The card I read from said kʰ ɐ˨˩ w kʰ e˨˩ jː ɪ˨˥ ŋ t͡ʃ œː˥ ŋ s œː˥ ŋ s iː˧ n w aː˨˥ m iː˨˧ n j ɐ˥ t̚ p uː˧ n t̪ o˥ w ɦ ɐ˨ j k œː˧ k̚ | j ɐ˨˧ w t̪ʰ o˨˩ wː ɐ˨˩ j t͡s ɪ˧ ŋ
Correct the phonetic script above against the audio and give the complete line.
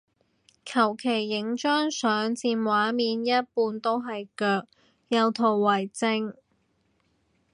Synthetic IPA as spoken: kʰ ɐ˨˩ w kʰ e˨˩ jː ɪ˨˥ ŋ t͡ʃ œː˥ ŋ s œː˨˥ ŋ t͡s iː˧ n w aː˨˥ m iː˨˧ n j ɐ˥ t̚ p uː˧ n t̪ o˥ w ɦ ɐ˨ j k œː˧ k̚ | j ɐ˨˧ w t̪ʰ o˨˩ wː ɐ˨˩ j t͡s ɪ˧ ŋ